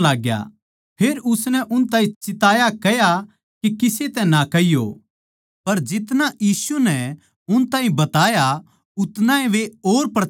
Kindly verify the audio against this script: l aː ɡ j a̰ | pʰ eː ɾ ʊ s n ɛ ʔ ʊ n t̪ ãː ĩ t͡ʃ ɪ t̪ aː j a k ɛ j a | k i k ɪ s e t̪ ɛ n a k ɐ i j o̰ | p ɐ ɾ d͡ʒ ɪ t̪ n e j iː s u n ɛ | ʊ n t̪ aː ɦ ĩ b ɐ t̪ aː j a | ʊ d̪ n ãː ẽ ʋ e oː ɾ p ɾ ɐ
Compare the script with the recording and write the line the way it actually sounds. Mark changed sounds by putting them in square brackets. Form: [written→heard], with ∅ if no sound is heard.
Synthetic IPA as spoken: l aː ɡ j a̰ | pʰ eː ɾ ʊ s n ɛ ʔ ʊ n t̪ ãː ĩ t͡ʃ ɪ t̪ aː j a k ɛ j a | k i k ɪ s e t̪ ɛ n a k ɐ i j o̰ | p ɐ ɾ d͡ʒ ɪ t̪ n [e→a] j iː s u n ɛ | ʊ n t̪ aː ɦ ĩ b ɐ t̪ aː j a | ʊ [d̪→t̪] n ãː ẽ ʋ e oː ɾ p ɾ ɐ

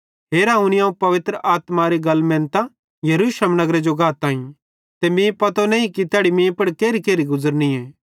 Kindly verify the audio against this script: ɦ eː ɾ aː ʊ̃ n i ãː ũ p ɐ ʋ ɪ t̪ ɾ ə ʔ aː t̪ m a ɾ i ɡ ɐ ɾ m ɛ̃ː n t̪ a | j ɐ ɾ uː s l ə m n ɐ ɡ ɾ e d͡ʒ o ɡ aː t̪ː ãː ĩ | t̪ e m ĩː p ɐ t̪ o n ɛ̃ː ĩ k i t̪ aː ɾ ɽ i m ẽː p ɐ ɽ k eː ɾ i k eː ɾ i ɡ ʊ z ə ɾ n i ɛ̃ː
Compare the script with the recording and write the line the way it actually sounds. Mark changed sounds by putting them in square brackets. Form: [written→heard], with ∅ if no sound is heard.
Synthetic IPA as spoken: ɦ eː ɾ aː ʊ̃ n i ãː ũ p ɐ ʋ ɪ t̪ ɾ ə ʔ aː t̪ m a ɾ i ɡ ɐ [ɾ→l] m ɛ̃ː n t̪ a | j ɐ ɾ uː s l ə m n ɐ ɡ ɾ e d͡ʒ o ɡ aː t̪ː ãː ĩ | t̪ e m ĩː p ɐ t̪ o n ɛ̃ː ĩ k i t̪ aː [ɾ→∅] ɽ i m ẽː p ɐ ɽ k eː ɾ i k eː ɾ i ɡ ʊ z ə ɾ n i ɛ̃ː

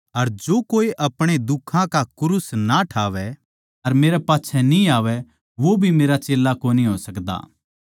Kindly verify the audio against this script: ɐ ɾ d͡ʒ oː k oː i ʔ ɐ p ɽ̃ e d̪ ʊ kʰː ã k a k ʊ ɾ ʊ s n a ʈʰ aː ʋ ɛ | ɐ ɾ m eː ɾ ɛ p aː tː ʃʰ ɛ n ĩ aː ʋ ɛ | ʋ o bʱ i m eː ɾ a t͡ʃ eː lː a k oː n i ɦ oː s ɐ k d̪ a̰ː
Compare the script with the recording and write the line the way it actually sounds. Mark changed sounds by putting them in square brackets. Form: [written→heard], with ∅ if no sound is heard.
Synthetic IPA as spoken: ɐ ɾ d͡ʒ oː k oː i ʔ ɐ p ɽ̃ e d̪ ʊ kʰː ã k a k ʊ ɾ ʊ s n a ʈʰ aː ʋ ɛ | ɐ ɾ m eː ɾ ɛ p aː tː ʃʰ ɛ n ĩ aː ʋ ɛ | ʋ o bʱ i m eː ɾ a t͡ʃ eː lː a k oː n i ɦ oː s ɐ k d̪ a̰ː

